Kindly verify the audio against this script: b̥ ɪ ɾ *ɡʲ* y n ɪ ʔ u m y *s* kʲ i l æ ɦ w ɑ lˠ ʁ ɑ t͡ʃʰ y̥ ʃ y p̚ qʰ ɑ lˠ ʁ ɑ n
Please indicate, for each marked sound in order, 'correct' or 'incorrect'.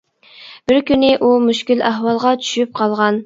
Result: incorrect, incorrect

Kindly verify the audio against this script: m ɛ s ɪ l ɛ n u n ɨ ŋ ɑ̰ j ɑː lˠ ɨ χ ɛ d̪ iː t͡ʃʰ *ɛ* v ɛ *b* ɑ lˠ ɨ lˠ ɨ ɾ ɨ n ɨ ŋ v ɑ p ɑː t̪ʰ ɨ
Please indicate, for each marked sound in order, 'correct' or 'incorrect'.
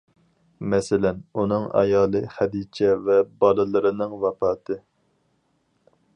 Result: correct, correct

